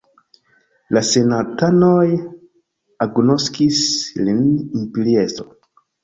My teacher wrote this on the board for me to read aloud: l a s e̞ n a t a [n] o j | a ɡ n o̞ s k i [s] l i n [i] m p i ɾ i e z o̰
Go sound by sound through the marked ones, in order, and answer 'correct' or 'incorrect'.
correct, correct, correct

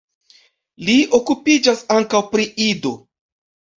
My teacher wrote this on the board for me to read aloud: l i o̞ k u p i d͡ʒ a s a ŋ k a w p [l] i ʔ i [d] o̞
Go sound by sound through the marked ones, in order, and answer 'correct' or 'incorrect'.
incorrect: ɾ, correct

